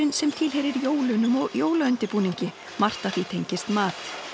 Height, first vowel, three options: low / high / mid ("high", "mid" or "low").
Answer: high